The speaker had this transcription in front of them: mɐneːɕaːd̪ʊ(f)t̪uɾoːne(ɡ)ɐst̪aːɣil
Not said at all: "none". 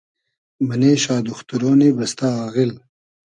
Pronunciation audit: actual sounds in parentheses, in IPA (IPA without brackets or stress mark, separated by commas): x, b